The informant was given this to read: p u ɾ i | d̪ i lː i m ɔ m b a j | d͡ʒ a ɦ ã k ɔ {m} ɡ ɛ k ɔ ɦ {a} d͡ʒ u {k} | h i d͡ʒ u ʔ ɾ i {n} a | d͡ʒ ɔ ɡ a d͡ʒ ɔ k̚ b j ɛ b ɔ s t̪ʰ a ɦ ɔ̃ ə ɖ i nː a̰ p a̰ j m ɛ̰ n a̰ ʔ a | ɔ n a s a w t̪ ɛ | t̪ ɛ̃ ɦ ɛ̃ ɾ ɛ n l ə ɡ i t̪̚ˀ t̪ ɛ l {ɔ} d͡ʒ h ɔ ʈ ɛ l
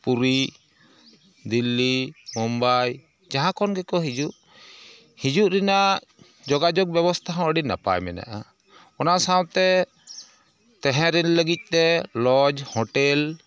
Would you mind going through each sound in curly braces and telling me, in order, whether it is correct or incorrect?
incorrect: n, incorrect: i, incorrect: ʔ, correct, correct

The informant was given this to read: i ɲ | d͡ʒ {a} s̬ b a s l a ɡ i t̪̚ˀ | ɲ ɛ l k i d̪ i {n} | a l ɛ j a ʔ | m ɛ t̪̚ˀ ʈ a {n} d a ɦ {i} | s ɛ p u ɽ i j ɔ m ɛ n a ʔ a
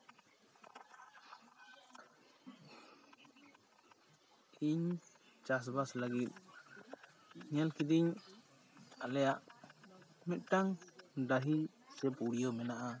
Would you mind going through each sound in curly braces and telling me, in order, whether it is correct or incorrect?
correct, incorrect: ɲ, incorrect: ŋ, correct

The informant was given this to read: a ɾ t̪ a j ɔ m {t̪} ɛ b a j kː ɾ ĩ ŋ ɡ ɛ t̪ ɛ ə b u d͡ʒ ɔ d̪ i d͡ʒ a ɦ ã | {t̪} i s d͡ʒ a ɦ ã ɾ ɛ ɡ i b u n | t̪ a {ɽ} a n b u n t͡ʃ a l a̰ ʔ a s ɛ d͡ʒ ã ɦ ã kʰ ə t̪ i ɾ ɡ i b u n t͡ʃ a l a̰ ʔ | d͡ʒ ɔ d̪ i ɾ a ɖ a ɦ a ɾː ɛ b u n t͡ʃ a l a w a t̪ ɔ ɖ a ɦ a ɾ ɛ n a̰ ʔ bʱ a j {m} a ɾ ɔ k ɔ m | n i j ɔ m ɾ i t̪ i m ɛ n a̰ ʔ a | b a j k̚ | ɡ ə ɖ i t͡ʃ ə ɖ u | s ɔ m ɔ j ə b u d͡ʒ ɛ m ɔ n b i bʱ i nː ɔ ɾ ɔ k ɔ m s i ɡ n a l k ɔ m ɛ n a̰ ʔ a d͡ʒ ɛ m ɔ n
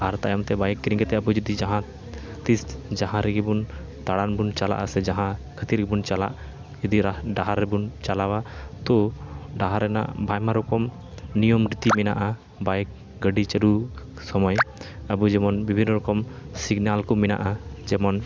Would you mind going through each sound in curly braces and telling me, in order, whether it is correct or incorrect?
correct, correct, correct, correct

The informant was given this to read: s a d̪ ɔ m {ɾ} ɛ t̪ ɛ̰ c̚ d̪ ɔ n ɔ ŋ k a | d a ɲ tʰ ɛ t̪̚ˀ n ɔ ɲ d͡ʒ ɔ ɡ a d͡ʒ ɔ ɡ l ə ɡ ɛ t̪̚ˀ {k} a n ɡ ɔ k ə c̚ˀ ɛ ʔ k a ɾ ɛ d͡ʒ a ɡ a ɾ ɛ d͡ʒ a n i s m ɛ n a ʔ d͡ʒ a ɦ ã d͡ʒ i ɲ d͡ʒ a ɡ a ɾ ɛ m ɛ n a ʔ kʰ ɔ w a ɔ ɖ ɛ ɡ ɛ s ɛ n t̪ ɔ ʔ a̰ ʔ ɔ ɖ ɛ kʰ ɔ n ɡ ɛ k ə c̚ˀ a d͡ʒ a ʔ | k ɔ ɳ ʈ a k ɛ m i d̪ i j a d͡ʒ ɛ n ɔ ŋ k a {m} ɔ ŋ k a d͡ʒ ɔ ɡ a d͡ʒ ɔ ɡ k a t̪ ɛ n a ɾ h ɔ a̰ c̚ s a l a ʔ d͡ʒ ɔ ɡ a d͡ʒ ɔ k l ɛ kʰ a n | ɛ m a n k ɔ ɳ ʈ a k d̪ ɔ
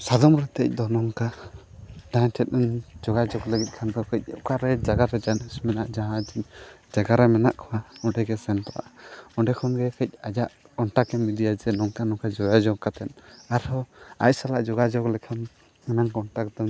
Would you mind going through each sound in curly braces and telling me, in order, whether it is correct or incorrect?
correct, incorrect: kʰ, incorrect: n

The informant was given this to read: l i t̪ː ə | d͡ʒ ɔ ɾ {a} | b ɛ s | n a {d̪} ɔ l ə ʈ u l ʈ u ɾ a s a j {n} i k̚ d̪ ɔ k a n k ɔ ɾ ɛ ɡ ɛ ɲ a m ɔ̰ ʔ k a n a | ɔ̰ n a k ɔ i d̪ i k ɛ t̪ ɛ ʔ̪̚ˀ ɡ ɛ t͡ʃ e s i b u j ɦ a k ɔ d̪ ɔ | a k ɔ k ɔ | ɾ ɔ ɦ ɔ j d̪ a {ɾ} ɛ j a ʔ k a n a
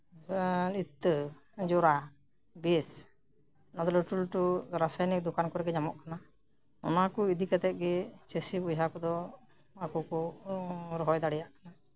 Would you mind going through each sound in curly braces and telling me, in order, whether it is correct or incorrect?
correct, correct, correct, incorrect: ɽ

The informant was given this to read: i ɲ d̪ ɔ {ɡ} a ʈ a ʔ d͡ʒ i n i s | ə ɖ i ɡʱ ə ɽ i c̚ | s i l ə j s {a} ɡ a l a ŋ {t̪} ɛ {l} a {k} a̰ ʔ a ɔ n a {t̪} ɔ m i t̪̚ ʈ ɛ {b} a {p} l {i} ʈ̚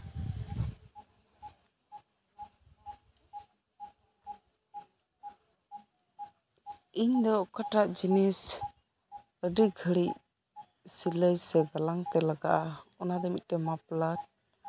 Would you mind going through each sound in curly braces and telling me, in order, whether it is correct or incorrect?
incorrect: k, incorrect: ɛ, correct, correct, incorrect: ɡ, incorrect: d̪, incorrect: m, correct, incorrect: a

